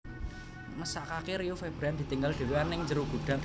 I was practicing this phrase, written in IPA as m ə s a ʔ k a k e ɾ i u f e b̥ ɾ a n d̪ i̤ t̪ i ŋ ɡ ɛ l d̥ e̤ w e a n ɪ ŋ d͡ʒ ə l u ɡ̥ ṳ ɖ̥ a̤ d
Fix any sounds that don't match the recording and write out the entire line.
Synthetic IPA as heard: m ə s a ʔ k a k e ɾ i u f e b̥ ɾ a n d̪ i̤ t̪ i ŋ ɡ a l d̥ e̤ w e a n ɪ ŋ d͡ʒ ə ɾ u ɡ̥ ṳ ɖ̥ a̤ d